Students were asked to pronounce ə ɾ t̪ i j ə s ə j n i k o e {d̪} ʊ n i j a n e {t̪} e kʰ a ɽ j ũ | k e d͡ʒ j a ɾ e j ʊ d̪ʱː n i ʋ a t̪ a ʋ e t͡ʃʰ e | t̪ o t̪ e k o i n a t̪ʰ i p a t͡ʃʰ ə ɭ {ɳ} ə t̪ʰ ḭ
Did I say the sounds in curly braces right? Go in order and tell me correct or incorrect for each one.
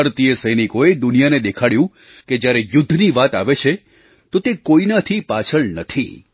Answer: correct, incorrect: d̪, incorrect: n

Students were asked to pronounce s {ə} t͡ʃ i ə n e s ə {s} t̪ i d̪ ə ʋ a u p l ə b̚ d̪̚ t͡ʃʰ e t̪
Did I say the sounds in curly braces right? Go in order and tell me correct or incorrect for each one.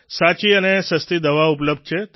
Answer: incorrect: a, correct

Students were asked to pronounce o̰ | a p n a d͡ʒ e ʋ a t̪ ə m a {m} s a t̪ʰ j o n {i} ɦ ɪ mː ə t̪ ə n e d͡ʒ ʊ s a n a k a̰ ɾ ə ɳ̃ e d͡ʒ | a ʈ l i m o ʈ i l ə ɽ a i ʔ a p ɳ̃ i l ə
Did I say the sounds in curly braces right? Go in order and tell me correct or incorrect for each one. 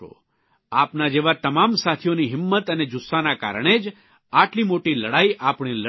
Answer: correct, correct

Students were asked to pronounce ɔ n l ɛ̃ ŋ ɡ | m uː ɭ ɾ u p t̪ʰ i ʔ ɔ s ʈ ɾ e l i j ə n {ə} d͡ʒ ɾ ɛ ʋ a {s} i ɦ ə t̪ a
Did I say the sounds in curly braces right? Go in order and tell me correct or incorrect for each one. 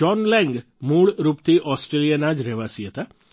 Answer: incorrect: a, correct

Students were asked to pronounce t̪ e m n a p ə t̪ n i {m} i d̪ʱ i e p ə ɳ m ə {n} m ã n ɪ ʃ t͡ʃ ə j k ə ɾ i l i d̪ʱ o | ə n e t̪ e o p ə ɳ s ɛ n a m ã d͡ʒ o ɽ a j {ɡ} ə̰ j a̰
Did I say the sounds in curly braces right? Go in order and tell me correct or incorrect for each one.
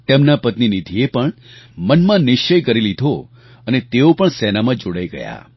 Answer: incorrect: n, correct, correct

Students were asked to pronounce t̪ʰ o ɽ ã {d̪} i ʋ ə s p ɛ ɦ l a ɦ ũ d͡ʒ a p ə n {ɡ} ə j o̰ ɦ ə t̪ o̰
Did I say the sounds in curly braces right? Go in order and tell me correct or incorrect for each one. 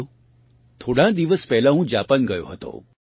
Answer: correct, correct

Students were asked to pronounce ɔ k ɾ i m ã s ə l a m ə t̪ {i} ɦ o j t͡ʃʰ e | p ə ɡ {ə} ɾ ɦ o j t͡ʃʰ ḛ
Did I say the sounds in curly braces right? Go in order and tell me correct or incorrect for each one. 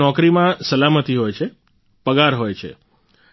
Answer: correct, incorrect: a

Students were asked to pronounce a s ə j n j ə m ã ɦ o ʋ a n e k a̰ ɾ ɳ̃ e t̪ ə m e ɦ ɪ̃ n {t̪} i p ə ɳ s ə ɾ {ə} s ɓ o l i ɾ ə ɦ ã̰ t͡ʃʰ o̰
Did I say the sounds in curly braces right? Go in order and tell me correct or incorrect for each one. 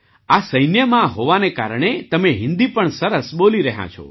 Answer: incorrect: d̪, correct

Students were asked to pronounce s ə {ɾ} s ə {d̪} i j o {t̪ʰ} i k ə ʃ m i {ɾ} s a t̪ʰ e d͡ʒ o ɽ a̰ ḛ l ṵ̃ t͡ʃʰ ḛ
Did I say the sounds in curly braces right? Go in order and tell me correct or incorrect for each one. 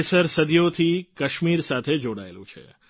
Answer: correct, correct, correct, correct

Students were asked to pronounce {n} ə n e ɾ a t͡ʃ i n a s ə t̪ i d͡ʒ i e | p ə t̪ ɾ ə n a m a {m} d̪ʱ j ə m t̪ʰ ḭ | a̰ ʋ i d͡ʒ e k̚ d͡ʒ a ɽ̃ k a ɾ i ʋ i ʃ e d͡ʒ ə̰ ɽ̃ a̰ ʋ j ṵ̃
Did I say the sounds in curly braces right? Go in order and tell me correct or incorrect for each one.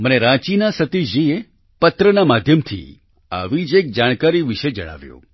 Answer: incorrect: m, incorrect: none

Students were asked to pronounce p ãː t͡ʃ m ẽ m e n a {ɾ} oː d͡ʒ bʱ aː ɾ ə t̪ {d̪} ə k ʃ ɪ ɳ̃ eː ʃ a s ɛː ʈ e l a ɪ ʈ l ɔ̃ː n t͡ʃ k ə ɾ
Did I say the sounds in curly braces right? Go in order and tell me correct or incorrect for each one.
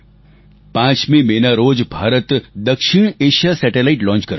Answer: correct, correct

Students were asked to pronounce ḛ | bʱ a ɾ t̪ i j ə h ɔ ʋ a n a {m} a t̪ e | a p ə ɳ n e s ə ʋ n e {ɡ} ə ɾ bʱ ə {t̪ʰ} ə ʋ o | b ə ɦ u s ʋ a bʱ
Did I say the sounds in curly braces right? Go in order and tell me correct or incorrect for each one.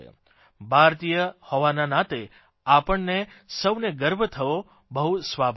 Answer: incorrect: n, correct, correct

